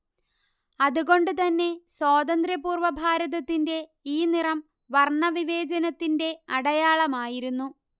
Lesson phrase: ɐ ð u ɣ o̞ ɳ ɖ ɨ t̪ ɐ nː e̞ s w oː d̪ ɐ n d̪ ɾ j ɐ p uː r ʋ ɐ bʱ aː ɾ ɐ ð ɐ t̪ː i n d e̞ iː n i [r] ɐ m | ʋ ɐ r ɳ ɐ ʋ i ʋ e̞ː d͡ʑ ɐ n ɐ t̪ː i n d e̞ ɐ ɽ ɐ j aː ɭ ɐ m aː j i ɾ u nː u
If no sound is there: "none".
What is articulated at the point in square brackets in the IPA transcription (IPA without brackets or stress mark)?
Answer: r